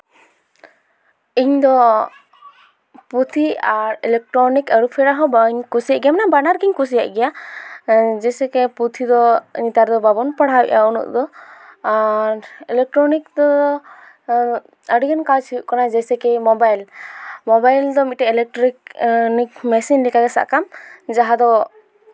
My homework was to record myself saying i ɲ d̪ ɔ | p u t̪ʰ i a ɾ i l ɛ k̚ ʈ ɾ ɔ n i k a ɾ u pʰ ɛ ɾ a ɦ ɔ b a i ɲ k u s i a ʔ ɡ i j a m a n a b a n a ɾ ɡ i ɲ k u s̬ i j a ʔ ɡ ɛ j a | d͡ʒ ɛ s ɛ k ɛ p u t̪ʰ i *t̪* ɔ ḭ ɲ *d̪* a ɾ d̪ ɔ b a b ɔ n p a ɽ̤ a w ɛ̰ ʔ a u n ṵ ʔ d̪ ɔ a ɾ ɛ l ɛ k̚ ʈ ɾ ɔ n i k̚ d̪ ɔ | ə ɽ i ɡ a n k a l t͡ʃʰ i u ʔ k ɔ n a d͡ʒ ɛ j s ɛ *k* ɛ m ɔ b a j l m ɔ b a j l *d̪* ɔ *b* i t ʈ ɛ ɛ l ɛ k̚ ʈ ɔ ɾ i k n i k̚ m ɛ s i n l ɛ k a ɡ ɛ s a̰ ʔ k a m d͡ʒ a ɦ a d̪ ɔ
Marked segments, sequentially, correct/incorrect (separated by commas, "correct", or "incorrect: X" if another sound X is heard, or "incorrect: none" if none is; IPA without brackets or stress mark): incorrect: d̪, incorrect: t̪, correct, correct, incorrect: m